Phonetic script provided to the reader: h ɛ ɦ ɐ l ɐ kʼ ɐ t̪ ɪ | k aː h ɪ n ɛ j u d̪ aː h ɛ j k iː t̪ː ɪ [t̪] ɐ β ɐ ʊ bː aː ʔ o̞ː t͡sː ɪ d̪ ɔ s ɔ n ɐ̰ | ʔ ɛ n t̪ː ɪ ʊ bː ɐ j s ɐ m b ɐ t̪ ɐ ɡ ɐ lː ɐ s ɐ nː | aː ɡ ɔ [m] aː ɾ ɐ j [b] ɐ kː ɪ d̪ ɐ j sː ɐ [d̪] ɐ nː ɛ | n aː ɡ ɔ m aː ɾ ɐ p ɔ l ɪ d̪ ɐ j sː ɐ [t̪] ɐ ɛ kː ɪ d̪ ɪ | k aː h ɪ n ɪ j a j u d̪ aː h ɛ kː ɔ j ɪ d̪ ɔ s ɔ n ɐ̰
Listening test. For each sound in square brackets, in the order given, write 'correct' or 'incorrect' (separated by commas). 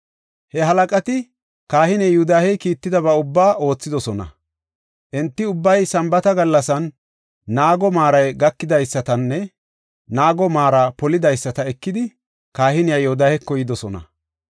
incorrect, correct, incorrect, incorrect, correct